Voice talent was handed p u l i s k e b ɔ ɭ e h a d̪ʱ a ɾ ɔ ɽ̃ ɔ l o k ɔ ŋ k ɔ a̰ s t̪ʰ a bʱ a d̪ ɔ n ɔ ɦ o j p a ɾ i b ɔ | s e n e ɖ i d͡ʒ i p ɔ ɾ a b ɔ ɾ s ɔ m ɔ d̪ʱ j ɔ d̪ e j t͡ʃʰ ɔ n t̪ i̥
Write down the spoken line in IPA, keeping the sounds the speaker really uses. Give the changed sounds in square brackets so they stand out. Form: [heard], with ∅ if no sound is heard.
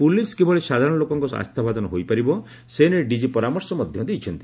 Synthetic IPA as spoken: p u l i s k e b ɔ ɭ e [s] a d̪ʱ a ɾ ɔ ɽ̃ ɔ l o k ɔ ŋ k ɔ a̰ s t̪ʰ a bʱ a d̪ ɔ n ɔ ɦ o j p a ɾ i b ɔ | s e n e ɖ i d͡ʒ i p ɔ ɾ a [m] ɔ ɾ s ɔ m ɔ d̪ʱ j ɔ d̪ e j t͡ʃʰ ɔ n t̪ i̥